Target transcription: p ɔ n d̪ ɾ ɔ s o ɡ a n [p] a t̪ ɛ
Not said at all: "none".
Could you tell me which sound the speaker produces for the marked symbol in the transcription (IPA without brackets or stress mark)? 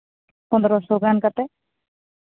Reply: k